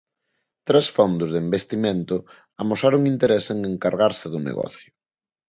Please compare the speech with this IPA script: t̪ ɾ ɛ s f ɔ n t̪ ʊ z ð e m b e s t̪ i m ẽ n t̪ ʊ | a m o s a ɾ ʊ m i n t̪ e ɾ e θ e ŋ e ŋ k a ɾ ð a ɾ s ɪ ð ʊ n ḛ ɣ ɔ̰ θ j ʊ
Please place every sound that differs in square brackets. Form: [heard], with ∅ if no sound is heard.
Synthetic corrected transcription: t̪ ɾ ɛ s f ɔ n [d̪] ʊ z ð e m b e s t̪ i m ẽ n t̪ ʊ | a m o s a ɾ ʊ [ŋ] i n t̪ e ɾ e [s] e ŋ e ŋ k a ɾ [ɣ] a ɾ s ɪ ð ʊ n ḛ ɣ ɔ̰ θ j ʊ